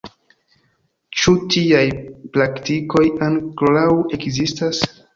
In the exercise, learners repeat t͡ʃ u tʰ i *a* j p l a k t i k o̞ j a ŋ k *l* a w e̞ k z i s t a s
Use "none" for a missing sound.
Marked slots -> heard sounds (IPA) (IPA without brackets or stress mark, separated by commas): a, l